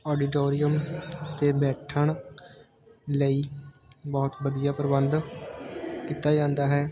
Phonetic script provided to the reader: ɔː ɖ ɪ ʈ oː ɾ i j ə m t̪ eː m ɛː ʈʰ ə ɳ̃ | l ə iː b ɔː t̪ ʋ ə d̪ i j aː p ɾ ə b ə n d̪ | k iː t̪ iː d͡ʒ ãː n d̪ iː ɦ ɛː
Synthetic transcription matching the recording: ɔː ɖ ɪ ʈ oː ɾ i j ə m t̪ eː b ɛː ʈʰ ə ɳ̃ | l ə iː b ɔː t̪ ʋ ə d̪ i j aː p ɾ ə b ə n d̪ | k iː t̪ aː d͡ʒ ãː n d̪ aː ɦ ɛː